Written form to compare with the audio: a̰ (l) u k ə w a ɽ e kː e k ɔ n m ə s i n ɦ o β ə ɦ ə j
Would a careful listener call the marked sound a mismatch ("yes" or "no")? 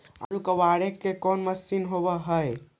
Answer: yes